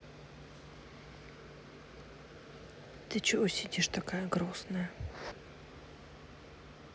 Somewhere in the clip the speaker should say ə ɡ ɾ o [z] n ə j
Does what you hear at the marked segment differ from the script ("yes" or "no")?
yes